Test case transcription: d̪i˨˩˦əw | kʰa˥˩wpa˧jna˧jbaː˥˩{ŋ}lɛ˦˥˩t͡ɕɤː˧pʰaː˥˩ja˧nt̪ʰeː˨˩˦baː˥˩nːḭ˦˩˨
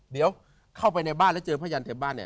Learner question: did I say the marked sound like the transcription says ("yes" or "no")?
no